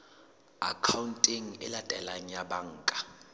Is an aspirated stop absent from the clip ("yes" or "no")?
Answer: no